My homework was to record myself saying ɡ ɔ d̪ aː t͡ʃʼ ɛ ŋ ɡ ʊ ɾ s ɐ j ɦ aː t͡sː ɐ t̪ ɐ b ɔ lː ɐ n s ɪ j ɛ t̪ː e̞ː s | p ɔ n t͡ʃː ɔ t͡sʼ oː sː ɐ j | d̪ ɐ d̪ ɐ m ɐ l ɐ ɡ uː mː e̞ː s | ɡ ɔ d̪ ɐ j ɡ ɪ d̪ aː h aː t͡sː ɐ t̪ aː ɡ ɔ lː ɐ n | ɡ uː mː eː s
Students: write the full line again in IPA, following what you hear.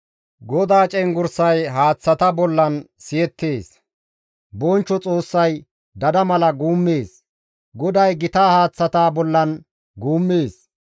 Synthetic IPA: ɡ ɔ d̪ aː t͡ʃʼ ɛ ŋ ɡ ʊ ɾ s ɐ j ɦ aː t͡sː ɐ t̪ ɐ b ɔ lː ɐ n s ɪ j ɛ t̪ː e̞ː s | b ɔ n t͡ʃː ɔ t͡sʼ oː sː ɐ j | d̪ ɐ d̪ ɐ m ɐ l ɐ ɡ uː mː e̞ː s | ɡ ɔ d̪ ɐ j ɡ ɪ t̪ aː h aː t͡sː ɐ t̪ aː b ɔ lː ɐ n | ɡ uː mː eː s

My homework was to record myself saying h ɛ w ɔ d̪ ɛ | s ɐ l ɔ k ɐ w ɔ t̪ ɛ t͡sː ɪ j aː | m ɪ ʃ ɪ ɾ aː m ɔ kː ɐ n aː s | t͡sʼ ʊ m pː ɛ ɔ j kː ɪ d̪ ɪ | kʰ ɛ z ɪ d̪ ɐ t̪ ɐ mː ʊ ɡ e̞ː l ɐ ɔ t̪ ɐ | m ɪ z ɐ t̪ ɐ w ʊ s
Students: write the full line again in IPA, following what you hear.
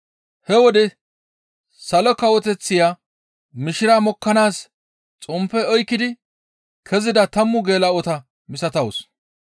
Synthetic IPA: h ɛ w ɔ d̪ ɛ | s ɐ l ɔ k ɐ w ɔ t̪ ɛ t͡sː ɪ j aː | m ɪ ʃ ɪ ɾ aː m ɔ kː ɐ n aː s | t͡sʼ ʊ m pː ɛ ɔ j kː ɪ d̪ ɪ | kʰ ɛ z ɪ d̪ ɐ t̪ ɐ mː ʊ ɡ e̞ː l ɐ ɔ t̪ ɐ | m ɪ s ɐ t̪ ɐ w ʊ s

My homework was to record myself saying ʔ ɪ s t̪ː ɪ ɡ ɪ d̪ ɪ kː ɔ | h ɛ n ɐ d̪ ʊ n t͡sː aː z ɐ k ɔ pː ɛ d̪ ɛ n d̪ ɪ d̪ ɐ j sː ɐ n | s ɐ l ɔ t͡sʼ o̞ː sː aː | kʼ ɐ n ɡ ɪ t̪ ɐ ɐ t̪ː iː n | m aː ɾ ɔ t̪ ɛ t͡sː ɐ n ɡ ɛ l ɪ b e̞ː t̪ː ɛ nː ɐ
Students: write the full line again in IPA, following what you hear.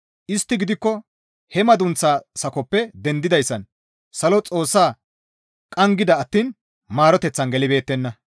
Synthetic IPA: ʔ ɪ s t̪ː ɪ ɡ ɪ d̪ ɪ kː ɔ | h ɛ m ɐ d̪ ʊ n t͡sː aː s ɐ k ɔ pː ɛ d̪ ɛ n d̪ ɪ d̪ ɐ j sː ɐ n | s ɐ l ɔ t͡sʼ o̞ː sː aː | kʼ ɐ ŋ ɡ ɪ d̪ ɐ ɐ t̪ː iː n | m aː ɾ ɔ t̪ ɛ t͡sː ɐ n ɡ ɛ l ɪ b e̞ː t̪ː ɛ nː ɐ

